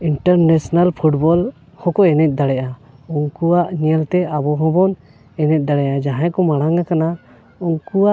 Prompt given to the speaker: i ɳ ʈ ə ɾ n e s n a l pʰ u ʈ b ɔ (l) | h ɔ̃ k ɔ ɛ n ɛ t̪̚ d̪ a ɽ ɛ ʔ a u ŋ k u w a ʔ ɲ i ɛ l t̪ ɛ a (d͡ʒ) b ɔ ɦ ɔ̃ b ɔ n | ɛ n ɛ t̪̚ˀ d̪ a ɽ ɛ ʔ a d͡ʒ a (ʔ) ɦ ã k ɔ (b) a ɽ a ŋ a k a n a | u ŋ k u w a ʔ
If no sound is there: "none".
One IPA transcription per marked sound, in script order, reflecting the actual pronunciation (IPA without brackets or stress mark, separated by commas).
l, none, none, m